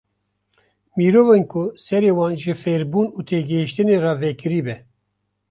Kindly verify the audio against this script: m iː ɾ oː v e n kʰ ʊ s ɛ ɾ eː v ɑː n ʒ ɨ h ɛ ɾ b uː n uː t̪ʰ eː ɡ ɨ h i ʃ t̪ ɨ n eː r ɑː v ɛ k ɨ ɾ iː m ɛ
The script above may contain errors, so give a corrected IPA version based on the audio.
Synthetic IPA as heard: m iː ɾ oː v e n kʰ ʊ s ɛ ɾ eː w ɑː n ʒ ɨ f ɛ ɾ b uː n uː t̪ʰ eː ɡ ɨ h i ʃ t̪ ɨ n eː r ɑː v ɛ k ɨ ɾ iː b ɛ

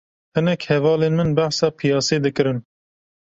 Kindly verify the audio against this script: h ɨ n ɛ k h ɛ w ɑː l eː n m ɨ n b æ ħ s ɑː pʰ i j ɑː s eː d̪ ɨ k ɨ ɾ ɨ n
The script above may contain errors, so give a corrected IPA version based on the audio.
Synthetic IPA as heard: h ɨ n ɛ k h ɛ v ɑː l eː n m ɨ n b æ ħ s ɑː pʰ i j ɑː s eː d̪ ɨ k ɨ ɾ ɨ n

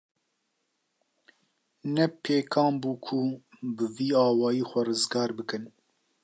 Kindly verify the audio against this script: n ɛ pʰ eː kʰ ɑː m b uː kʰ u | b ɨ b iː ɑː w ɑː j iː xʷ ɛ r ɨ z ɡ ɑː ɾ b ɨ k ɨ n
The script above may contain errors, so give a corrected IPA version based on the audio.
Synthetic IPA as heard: n ɛ pʰ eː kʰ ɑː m b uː kʰ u | b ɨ v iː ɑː w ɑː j iː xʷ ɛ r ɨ z ɡ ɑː ɾ b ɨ k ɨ n

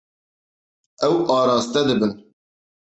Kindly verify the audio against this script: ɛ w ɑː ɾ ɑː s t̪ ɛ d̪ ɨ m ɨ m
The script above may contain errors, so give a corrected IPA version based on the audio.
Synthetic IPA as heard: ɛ w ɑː ɾ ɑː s t̪ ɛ d̪ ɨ b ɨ n

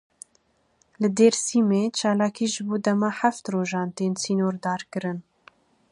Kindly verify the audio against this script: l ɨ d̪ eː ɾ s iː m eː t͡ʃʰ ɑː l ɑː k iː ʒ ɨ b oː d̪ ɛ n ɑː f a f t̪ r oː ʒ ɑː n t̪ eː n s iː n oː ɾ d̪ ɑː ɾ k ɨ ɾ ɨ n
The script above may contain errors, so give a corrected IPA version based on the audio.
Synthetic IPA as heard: l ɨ d̪ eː ɾ s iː m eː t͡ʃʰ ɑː l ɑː k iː ʒ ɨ b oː d̪ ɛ m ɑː ħ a f t̪ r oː ʒ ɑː n t̪ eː n s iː n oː ɾ d̪ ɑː ɾ k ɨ ɾ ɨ n

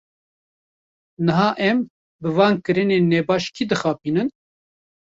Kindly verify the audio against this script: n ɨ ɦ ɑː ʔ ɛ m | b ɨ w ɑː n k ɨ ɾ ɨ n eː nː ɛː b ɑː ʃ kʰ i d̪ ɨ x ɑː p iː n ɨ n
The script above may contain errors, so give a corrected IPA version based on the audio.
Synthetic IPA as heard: n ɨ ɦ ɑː ʔ ɛ m | b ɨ v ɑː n k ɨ ɾ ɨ n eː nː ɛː b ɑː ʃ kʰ i d̪ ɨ x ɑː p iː n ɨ n

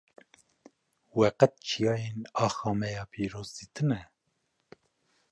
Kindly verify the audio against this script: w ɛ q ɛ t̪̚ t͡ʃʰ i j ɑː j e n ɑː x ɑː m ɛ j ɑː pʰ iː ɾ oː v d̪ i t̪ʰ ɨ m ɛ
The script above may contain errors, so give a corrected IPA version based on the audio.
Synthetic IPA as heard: w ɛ q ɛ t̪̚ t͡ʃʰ i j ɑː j e n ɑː x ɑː m ɛ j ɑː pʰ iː ɾ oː z d̪ i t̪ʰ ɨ n ɛ

